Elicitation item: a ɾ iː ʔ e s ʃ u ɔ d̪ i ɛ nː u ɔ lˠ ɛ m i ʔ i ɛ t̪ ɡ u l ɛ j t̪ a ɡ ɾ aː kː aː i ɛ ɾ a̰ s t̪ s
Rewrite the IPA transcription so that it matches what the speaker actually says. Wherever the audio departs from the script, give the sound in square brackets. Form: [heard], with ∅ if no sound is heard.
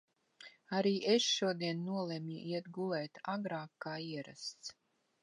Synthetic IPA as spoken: a ɾ iː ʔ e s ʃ u ɔ d̪ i ɛ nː u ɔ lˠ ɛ m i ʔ i ɛ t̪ ɡ u l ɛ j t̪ a ɡ ɾ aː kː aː i ɛ ɾ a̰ s t̪ s